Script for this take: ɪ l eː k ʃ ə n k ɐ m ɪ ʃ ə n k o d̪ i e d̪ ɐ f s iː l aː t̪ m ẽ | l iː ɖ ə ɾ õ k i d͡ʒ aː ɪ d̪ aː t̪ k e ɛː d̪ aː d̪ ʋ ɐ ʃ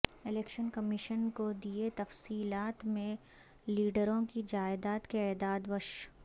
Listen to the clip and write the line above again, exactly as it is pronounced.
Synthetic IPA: ɪ l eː k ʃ ə n k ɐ m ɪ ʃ ə n k o d̪ i e t̪ ɐ f s iː l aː t̪ m ẽ | l iː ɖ ə ɾ õ k i d͡ʒ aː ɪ d̪ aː t̪ k e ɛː d̪ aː d̪ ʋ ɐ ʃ